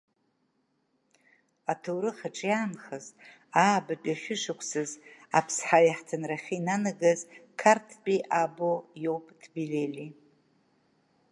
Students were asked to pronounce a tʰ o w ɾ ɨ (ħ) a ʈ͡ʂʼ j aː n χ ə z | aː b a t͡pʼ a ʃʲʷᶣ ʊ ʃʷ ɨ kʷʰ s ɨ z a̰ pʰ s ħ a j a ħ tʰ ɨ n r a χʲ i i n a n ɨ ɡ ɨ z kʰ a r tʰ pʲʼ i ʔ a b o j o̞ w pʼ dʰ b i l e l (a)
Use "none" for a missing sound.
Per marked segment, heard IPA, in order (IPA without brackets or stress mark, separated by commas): χ, i